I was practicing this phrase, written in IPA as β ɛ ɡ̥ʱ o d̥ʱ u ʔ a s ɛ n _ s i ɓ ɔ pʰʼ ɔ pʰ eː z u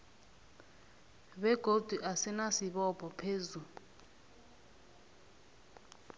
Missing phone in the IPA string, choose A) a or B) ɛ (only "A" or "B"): A